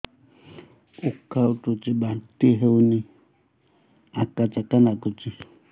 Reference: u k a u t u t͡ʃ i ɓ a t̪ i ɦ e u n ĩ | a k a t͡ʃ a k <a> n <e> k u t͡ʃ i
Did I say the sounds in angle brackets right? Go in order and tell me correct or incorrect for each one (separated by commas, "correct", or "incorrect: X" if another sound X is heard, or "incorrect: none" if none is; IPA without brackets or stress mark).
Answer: correct, incorrect: a